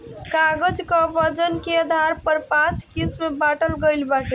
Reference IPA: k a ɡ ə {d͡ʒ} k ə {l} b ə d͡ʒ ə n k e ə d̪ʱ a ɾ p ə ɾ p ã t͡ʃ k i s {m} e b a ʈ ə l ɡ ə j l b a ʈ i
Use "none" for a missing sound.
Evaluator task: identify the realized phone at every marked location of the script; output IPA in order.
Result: d͡ʒ, none, m

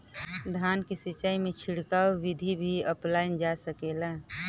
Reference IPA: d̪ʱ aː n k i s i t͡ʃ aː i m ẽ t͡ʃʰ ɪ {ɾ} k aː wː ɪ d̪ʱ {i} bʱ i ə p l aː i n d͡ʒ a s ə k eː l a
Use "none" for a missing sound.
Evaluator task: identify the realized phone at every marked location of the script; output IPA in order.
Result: ɽ, i

